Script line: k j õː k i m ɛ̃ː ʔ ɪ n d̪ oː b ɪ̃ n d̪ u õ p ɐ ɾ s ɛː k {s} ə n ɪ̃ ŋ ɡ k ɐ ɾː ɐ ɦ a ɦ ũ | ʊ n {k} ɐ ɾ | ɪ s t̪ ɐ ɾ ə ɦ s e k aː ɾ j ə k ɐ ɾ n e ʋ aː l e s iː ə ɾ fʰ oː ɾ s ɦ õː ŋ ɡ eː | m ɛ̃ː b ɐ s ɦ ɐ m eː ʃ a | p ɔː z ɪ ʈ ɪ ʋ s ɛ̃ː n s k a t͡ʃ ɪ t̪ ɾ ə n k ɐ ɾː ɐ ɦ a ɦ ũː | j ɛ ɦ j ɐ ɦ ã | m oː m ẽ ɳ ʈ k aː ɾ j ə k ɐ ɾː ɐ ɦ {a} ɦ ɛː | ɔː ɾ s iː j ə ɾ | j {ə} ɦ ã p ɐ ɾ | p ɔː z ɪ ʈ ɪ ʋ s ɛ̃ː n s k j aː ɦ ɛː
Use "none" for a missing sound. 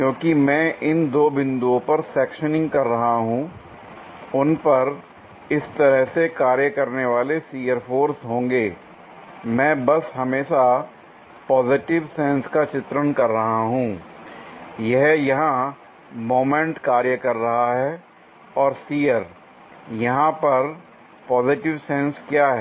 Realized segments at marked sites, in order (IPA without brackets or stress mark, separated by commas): ʃ, p, a, ɐ